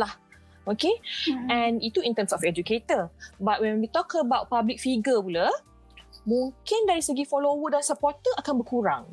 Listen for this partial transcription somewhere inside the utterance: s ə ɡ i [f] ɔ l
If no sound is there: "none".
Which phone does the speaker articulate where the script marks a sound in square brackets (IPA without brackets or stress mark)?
f